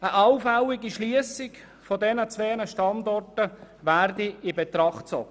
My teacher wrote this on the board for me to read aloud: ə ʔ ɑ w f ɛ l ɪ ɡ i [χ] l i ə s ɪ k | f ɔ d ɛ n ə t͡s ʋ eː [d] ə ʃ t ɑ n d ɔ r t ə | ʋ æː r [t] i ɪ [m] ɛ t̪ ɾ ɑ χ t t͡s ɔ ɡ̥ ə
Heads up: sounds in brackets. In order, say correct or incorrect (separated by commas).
incorrect, incorrect, incorrect, incorrect